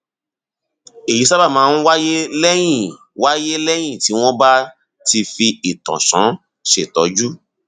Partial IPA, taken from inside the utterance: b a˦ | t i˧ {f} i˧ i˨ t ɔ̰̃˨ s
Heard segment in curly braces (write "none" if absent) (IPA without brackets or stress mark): f